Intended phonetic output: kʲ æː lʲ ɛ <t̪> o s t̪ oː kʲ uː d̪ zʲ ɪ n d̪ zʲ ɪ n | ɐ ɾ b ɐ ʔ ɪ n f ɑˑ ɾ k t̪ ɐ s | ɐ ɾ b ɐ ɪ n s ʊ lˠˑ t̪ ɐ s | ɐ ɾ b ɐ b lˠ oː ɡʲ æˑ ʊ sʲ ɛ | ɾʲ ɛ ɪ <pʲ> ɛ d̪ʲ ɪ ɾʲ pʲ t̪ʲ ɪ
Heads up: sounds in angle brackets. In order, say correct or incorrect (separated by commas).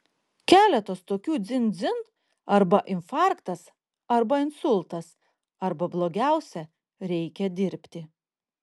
correct, incorrect